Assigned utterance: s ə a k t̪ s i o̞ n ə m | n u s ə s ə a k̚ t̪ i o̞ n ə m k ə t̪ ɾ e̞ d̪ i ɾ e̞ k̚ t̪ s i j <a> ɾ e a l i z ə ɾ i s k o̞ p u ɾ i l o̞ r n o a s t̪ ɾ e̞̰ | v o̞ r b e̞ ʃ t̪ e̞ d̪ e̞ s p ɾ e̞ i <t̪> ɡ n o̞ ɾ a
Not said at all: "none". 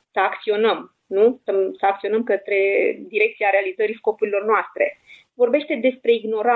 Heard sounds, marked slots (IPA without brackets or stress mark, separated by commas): a, none